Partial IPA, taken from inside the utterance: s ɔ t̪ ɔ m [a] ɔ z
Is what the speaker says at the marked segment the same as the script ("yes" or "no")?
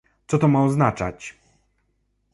yes